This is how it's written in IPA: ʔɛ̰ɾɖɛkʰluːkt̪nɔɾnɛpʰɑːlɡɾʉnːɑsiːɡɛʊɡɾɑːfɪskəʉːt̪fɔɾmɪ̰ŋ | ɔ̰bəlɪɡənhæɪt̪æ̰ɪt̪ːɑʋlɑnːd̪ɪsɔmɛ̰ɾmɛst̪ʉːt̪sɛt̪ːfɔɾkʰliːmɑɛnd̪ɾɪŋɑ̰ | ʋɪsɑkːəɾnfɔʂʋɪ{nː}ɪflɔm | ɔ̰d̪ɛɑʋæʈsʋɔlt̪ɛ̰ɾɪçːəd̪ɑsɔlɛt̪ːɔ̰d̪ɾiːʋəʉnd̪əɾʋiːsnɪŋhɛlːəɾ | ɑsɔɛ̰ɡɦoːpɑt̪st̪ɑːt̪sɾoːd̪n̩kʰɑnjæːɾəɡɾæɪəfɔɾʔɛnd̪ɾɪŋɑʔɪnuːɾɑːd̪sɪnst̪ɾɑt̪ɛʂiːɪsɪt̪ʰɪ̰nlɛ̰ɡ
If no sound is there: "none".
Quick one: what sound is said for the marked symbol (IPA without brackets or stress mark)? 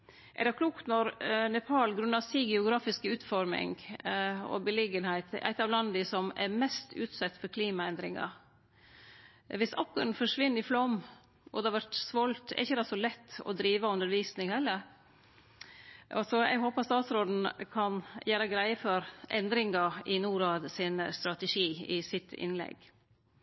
nː